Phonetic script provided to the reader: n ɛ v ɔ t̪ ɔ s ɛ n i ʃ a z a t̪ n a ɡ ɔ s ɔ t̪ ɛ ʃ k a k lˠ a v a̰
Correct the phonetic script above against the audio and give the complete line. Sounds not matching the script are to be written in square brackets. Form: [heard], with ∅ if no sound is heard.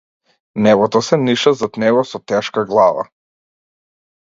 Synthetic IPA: n ɛ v ɔ t̪ ɔ s ɛ n i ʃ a z a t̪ n [ɛ] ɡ ɔ s ɔ t̪ ɛ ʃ k a [ɡ] lˠ a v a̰